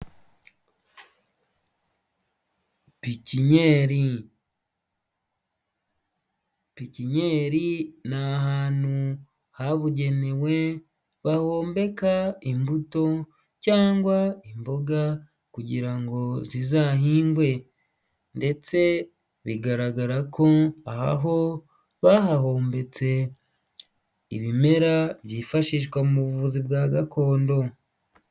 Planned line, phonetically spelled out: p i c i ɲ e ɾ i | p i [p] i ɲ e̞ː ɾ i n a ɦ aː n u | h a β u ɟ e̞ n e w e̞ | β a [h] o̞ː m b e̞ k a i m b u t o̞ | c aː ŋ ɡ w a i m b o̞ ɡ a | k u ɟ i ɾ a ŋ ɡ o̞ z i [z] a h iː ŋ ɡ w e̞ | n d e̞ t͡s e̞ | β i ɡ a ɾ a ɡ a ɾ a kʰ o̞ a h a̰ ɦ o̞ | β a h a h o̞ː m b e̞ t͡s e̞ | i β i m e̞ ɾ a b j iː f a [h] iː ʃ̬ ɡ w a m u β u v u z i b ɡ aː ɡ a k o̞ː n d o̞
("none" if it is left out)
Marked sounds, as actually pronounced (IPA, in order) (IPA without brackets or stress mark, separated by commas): c, h, z, ʃ